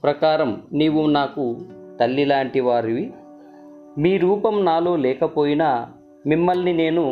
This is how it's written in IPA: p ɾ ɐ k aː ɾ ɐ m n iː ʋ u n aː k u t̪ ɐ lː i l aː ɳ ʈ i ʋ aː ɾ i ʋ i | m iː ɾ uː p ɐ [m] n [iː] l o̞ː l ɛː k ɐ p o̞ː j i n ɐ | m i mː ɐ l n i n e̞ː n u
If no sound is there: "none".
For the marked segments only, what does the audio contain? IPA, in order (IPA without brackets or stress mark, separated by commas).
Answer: m, aː